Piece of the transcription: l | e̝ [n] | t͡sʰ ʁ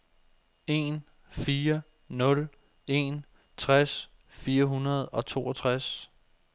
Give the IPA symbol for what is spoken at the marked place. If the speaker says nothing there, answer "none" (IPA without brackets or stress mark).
n